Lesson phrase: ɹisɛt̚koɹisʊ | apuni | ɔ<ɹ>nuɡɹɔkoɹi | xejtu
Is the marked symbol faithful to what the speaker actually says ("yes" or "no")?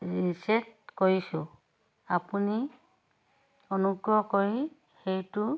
no